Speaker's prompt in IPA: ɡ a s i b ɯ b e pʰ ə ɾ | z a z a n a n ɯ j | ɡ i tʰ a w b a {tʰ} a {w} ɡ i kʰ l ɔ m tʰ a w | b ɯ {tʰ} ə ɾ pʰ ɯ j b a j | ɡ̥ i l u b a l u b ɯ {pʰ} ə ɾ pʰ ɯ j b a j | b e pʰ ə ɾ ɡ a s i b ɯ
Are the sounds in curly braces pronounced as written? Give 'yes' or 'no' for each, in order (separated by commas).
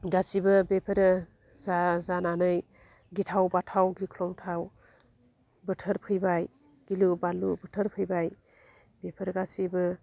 yes, yes, yes, no